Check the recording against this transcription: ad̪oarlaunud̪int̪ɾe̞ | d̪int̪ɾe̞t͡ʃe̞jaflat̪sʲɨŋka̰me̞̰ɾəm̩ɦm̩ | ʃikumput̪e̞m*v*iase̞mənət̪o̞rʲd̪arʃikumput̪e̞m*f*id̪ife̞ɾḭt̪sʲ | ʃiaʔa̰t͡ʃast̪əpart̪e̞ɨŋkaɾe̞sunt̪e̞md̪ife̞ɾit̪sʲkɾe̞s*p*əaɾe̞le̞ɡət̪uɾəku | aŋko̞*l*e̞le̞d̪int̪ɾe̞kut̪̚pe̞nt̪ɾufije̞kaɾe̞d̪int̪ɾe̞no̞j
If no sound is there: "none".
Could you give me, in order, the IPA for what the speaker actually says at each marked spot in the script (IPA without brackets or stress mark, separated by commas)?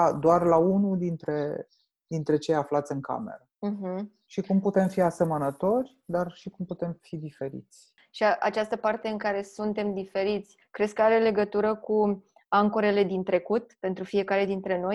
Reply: f, f, k, ɾ